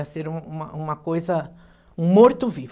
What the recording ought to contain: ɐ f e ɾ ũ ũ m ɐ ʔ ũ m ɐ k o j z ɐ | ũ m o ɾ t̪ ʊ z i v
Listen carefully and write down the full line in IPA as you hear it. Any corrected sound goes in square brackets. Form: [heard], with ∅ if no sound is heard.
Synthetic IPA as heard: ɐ [s] e ɾ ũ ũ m ɐ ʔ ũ m ɐ k o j z ɐ | ũ m o ɾ t̪ ʊ [v] i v